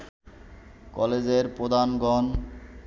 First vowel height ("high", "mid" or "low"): mid